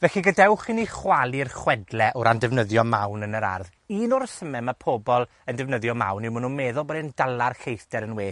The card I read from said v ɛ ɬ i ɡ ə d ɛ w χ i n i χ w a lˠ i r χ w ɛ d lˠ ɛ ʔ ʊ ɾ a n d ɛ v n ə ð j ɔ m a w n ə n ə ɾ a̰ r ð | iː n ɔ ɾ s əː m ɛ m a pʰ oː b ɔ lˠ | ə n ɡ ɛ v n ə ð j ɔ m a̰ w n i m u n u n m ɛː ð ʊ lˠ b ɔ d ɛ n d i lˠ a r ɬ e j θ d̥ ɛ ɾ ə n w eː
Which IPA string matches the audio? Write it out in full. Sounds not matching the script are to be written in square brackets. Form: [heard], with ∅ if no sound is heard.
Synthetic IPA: v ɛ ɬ i ɡ ə d ɛ w χ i n i χ w a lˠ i r χ w ɛ d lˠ ɛ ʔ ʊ ɾ a n d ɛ v n ə ð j ɔ m a w n ə n ə ɾ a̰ r ð | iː n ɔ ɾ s [ə] m ɛ m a pʰ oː b ɔ lˠ | ə n [d] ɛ v n ə ð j ɔ m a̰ w n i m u n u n m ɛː ð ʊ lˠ b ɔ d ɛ n d [a] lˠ a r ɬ e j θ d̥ ɛ ɾ ə n w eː